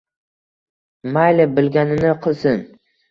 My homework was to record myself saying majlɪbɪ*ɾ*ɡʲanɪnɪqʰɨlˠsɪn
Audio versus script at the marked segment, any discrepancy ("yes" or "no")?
yes